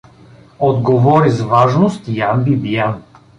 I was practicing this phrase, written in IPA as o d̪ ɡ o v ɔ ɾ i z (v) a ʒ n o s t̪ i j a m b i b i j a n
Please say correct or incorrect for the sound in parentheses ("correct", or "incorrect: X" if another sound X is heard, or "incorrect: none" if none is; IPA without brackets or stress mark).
correct